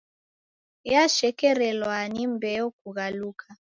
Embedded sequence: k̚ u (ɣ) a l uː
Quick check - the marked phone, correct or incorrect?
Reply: correct